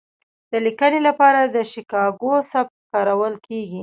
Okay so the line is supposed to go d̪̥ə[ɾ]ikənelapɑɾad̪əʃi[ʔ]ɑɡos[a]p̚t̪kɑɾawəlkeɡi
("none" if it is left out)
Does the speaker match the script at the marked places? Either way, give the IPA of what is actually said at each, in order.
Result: l, k, a

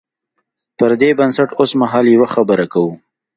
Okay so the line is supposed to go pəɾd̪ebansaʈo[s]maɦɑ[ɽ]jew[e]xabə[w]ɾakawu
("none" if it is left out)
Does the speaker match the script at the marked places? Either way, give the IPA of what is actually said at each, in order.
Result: s, l, a, none

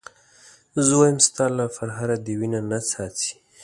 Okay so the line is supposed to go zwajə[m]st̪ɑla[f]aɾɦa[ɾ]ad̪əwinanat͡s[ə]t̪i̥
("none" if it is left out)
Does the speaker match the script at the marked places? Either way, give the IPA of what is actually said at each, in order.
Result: m, f, ɾ, ɑ

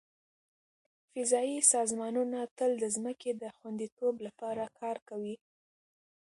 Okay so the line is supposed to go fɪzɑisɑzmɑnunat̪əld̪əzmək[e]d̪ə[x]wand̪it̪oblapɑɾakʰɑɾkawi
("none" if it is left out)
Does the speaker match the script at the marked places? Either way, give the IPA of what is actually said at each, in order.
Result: e, x

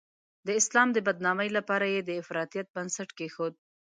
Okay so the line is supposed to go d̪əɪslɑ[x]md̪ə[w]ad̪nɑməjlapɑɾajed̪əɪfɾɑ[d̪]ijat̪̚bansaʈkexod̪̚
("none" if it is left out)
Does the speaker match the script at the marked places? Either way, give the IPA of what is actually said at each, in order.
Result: none, b, t̪

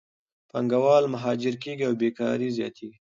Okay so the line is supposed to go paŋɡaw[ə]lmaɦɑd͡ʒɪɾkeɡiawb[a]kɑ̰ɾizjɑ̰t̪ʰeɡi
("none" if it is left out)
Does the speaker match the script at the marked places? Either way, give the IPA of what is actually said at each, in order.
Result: ɑ, e

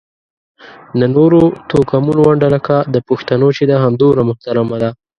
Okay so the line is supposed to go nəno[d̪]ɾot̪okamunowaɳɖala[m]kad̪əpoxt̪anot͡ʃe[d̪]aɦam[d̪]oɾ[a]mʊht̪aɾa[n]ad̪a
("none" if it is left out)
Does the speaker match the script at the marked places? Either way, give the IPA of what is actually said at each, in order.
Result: none, none, d̪, d̪, a, m

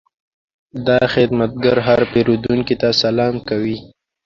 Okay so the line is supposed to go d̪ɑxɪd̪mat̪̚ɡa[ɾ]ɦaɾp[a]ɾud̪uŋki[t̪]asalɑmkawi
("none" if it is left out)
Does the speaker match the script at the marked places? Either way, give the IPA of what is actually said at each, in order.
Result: ɾ, e, t̪

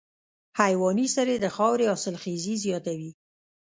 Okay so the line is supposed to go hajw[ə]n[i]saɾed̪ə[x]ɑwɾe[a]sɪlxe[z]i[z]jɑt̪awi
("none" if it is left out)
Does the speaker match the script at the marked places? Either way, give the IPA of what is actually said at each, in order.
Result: ɑ, i, x, ɑ, z, z

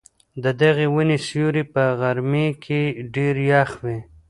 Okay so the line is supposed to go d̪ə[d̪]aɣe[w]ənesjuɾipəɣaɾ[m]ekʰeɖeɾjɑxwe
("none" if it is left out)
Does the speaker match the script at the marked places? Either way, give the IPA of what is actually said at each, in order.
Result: d̪, w, m

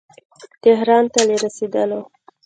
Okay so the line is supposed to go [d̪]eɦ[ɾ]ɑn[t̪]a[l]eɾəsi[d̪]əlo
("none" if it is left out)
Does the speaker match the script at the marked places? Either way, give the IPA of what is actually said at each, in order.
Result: t̪, ɾ, t̪, l, d̪

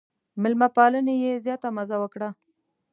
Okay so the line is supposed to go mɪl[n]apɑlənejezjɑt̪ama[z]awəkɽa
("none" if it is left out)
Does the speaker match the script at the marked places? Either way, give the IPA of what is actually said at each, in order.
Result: m, z

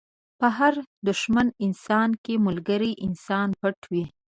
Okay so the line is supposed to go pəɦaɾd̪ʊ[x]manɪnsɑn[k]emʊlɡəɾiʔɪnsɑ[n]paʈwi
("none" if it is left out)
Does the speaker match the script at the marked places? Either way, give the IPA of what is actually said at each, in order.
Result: ʃ, k, n

